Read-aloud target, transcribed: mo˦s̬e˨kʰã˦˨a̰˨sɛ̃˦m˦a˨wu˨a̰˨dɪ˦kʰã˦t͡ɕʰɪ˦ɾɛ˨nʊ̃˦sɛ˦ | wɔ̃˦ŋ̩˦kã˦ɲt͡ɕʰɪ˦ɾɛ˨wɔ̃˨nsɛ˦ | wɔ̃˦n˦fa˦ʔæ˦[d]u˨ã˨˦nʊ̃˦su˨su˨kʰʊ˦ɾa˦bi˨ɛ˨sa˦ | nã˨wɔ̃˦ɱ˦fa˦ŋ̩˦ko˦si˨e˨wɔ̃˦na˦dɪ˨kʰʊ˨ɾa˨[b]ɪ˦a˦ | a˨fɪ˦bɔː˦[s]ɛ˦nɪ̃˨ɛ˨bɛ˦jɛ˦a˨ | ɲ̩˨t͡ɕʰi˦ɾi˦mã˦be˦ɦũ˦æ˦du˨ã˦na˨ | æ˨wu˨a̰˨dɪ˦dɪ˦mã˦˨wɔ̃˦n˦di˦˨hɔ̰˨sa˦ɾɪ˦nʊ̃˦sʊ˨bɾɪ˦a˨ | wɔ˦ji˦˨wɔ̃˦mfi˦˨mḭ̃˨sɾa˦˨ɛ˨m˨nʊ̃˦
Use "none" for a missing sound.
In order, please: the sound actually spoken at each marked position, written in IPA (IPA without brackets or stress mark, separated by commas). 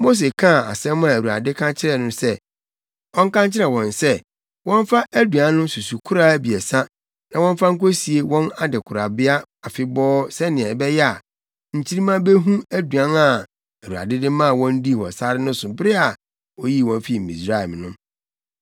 d, b, s